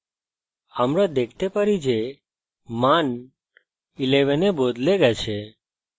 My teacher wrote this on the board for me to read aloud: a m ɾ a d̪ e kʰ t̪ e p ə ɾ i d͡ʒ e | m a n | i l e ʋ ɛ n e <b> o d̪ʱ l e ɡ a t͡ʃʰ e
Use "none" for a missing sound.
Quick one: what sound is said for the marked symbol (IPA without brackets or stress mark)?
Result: b